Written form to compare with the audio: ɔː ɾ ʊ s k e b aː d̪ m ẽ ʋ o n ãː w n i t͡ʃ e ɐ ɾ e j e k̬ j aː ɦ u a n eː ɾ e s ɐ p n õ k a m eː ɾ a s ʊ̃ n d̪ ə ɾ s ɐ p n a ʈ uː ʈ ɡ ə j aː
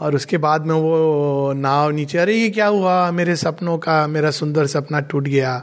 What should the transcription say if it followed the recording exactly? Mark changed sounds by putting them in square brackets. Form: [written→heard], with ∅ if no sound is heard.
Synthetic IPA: ɔː ɾ ʊ s k e b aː d̪ m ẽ ʋ o n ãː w n [i→iː] t͡ʃ e ɐ ɾ e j e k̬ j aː ɦ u a [n→m] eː ɾ e s ɐ p n õ k a m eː ɾ a s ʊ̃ n d̪ ə ɾ s ɐ p n a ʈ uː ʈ ɡ [ə→ɐ] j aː